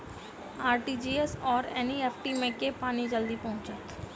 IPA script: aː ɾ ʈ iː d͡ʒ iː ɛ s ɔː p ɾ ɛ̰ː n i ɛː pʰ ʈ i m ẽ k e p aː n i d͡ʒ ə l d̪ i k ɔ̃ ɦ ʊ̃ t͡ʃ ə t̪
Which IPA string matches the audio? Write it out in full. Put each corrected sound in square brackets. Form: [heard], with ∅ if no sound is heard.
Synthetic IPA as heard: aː ɾ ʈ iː d͡ʒ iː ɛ s ɔː [∅] ɾ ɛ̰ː n i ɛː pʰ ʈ i m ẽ k e p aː n i d͡ʒ ə l d̪ i [p] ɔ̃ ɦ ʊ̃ t͡ʃ ə t̪